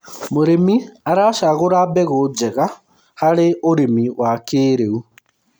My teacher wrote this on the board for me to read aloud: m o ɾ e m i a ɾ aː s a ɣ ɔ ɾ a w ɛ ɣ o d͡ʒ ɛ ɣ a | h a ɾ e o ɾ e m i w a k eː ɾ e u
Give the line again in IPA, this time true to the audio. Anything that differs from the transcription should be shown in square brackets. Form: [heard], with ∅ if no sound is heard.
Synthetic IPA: m o ɾ e m i a ɾ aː [ʃ] a ɣ [o] ɾ a [b] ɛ ɣ o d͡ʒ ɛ ɣ a | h a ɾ e o ɾ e m i w a k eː ɾ e u